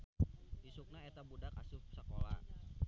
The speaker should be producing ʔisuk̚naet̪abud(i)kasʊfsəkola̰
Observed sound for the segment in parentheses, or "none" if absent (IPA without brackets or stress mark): a